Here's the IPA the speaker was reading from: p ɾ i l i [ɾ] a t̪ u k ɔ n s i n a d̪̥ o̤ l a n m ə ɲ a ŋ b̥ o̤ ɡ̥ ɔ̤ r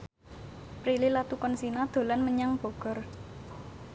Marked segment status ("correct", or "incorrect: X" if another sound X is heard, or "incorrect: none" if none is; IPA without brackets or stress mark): incorrect: l